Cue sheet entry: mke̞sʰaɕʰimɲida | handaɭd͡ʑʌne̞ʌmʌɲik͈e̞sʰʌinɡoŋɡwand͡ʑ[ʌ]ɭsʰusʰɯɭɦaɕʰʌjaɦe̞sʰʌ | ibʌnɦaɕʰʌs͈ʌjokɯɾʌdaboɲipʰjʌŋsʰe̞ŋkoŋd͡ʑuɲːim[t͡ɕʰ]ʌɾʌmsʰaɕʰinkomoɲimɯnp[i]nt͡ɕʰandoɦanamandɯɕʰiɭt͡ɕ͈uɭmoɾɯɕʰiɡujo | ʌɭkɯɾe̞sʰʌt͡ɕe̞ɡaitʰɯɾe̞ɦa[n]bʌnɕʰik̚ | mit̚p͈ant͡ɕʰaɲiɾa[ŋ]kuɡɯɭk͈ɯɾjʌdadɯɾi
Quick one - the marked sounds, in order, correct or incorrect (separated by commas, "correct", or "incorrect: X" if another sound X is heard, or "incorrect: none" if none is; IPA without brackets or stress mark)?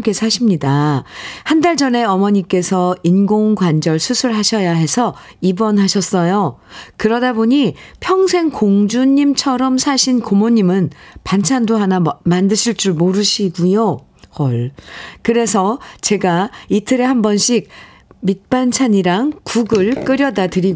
correct, correct, incorrect: a, incorrect: m, correct